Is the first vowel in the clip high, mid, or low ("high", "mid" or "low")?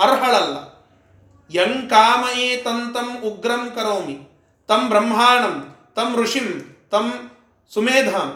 low